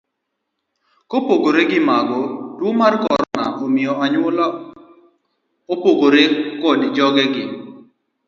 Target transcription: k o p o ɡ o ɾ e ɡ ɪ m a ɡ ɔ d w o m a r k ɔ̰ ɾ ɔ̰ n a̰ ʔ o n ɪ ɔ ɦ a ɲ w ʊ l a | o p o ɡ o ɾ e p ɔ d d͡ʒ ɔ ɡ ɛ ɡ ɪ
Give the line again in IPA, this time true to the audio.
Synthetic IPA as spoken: k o p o ɡ o ɾ e ɡ ɪ m a ɡ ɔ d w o m a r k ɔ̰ ɾ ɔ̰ n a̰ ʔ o m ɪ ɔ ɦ a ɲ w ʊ l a | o p o ɡ o ɾ e k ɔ d d͡ʒ ɔ ɡ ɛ ɡ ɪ